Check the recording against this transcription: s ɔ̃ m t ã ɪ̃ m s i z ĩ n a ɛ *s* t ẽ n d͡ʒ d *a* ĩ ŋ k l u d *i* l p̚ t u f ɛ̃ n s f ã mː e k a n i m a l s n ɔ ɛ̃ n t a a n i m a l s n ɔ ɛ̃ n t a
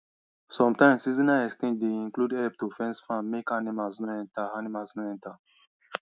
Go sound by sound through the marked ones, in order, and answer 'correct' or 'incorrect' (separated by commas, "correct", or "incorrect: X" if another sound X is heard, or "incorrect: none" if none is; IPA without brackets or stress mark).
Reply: correct, incorrect: e, incorrect: ɛ